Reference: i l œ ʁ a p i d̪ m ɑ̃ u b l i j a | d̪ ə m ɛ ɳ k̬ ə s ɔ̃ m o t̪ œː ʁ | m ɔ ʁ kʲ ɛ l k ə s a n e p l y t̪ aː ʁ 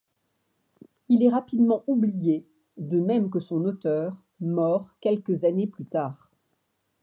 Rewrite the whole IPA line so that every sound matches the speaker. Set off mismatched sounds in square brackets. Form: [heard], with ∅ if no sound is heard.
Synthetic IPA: i l [ɛ] ʁ a p i d̪ m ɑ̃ u b l i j [e] | d̪ ə m ɛ [m] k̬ ə s ɔ̃ [n] o t̪ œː ʁ | m ɔ ʁ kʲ ɛ l k ə [z] a n e p l y t̪ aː ʁ